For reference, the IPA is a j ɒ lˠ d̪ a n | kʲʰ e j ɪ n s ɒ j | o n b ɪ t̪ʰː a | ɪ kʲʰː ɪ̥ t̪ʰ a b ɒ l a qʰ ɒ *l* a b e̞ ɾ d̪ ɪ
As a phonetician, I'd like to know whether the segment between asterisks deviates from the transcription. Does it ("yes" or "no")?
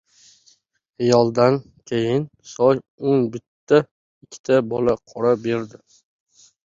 yes